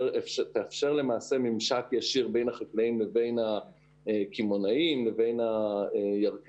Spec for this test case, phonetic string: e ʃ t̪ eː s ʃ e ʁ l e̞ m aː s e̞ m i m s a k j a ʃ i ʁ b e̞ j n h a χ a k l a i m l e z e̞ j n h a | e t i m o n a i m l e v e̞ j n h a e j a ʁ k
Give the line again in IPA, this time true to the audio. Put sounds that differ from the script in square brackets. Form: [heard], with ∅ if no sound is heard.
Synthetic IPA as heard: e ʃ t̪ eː [f] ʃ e ʁ l e̞ m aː s e̞ m i m [ʃ] a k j a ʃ i ʁ b e̞ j n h a χ a k l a i m l e [v] e̞ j n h a | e [k] i m o n a i m l e v e̞ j n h a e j a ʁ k